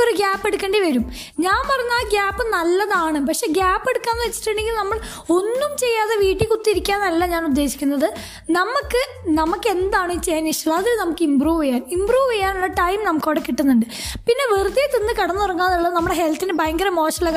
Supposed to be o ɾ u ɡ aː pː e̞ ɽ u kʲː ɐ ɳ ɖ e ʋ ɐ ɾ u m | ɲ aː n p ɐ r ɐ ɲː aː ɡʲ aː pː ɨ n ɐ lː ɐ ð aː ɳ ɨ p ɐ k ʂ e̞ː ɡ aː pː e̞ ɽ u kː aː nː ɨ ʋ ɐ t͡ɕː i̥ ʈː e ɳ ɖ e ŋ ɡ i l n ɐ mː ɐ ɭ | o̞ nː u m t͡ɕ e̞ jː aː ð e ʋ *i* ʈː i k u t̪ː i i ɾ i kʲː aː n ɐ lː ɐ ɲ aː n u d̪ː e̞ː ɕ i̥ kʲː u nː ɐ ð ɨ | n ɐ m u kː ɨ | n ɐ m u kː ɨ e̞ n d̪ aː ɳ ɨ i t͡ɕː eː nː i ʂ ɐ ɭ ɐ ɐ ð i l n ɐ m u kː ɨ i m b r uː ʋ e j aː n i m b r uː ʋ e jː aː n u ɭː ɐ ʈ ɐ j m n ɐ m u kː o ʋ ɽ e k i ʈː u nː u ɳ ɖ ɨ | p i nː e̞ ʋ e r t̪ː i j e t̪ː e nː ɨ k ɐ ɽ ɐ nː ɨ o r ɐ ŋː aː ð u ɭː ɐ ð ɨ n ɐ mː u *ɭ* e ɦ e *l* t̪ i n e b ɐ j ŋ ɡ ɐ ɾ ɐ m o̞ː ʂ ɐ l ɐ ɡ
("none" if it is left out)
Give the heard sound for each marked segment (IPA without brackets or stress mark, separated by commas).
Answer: iː, ɽ, l